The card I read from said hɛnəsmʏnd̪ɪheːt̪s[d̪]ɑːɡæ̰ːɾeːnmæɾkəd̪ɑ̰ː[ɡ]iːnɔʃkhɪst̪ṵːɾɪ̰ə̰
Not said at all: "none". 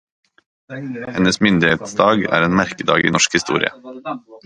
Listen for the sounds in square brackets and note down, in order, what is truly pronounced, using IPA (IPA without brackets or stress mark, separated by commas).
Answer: d̪, ɡ